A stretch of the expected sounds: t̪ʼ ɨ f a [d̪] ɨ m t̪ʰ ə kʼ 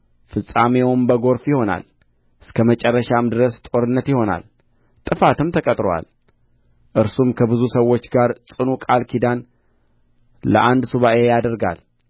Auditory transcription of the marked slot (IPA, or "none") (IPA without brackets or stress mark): t̪